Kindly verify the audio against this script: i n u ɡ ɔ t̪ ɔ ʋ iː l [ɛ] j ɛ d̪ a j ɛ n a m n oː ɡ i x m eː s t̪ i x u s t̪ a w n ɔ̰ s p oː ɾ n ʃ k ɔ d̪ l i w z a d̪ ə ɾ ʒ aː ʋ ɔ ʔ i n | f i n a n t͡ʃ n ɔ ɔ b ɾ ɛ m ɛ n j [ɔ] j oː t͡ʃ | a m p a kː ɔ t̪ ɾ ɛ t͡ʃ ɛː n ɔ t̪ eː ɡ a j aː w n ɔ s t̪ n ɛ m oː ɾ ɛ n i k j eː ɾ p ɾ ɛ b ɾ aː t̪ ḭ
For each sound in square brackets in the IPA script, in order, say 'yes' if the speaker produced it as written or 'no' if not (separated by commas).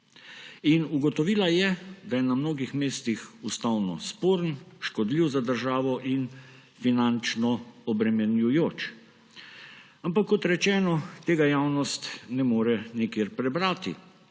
no, no